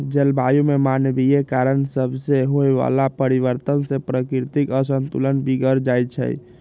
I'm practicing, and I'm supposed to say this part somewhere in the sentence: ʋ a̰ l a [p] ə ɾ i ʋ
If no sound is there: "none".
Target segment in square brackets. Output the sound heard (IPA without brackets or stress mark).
p